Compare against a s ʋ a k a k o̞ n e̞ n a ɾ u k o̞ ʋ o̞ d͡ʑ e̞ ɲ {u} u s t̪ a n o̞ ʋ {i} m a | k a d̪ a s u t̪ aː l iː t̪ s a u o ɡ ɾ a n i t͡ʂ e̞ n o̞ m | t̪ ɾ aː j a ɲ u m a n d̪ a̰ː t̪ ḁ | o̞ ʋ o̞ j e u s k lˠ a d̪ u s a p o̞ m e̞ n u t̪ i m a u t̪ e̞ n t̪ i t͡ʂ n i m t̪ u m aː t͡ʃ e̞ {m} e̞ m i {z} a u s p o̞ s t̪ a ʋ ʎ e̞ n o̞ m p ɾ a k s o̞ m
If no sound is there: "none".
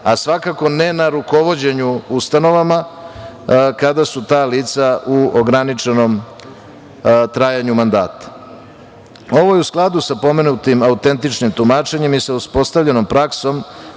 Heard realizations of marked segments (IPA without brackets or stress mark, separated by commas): u, a, ɲ, s